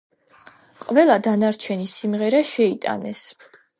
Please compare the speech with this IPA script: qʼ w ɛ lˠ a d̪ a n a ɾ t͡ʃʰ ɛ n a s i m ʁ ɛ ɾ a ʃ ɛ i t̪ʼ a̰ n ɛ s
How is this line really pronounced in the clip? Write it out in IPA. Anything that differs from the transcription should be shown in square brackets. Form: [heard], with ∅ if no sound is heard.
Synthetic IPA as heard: qʼ [v] ɛ lˠ a d̪ a n a ɾ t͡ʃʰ ɛ n [i] s i m ʁ ɛ ɾ a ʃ ɛ i t̪ʼ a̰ n ɛ s